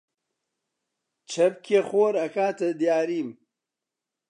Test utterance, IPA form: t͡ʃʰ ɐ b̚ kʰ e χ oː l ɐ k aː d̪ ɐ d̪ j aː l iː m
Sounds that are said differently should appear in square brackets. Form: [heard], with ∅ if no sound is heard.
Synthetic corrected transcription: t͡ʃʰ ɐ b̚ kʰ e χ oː [ɾ] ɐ k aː [t̪] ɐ d̪ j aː [ɾ] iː m